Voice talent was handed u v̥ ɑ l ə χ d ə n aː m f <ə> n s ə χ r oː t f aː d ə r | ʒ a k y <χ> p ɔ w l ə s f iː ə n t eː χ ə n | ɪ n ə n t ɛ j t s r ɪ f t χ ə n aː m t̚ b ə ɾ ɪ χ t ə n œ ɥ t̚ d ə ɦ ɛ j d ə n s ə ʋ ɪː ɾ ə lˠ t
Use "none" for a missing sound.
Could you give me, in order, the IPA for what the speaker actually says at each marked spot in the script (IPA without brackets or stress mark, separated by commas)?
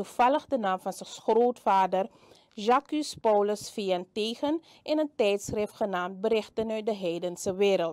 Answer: ɑ, s